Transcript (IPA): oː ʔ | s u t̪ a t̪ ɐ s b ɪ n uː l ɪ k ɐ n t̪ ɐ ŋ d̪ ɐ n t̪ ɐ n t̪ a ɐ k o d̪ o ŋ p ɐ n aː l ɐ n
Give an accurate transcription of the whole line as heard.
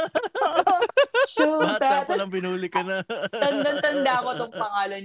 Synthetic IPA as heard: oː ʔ | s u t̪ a t̪ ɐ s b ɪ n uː l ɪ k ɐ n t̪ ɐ n d̪ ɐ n t̪ ɐ n d̪ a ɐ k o t̪ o ŋ p ɐ ŋ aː l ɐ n